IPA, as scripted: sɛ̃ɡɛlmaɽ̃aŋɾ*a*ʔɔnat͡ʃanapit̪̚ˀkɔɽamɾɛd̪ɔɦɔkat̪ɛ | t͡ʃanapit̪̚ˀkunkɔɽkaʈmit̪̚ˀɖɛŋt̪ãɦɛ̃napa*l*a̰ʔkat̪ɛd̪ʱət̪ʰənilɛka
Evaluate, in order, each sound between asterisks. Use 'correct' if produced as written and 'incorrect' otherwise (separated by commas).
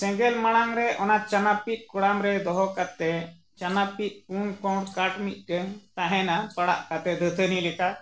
incorrect, incorrect